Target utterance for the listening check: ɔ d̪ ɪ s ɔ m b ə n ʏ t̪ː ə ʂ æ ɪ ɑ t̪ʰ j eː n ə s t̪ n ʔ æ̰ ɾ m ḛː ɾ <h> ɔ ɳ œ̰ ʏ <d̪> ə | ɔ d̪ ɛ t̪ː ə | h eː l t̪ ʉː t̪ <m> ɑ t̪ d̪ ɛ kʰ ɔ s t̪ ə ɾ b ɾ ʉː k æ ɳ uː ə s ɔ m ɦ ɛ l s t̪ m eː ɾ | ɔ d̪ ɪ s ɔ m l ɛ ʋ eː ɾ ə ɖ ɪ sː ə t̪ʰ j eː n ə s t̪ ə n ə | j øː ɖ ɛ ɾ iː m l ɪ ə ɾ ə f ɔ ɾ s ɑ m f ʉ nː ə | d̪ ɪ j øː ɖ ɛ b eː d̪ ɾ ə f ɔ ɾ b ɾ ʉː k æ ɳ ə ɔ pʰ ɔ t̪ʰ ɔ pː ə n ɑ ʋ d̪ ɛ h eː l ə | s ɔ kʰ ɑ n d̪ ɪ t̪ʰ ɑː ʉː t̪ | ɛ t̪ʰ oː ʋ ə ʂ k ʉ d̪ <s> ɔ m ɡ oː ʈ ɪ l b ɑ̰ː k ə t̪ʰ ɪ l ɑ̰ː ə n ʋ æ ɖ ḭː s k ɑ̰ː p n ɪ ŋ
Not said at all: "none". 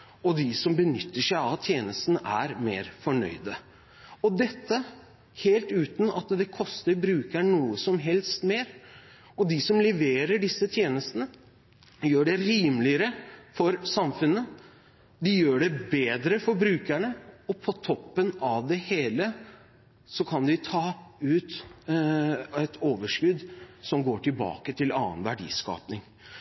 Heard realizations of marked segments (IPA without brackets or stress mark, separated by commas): f, d̪, n, s